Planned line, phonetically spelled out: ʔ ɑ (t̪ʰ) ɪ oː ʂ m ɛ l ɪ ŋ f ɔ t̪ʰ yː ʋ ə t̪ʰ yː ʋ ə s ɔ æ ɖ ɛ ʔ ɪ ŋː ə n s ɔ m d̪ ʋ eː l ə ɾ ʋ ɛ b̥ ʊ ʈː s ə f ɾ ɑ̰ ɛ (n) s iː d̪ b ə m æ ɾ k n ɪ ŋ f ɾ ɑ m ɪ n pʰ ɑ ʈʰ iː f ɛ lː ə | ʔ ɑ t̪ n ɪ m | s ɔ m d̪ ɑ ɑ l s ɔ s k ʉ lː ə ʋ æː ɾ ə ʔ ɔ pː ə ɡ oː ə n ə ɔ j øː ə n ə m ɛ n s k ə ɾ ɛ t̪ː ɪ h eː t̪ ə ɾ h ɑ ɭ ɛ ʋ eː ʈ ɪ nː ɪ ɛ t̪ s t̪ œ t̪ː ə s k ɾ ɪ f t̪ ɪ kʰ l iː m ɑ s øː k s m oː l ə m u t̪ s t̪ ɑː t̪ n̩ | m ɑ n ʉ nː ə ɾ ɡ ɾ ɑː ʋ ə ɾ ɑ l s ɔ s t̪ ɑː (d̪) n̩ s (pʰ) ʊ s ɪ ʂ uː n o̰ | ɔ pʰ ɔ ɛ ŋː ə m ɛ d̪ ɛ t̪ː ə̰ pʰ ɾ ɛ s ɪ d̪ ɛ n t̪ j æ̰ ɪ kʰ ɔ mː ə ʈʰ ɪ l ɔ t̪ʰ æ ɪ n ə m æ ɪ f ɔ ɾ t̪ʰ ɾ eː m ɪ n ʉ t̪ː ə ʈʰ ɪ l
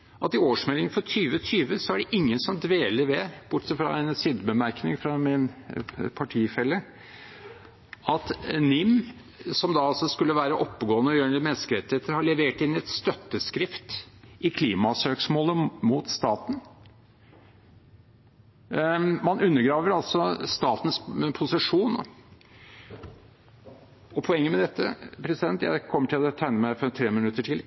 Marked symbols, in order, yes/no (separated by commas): no, yes, no, yes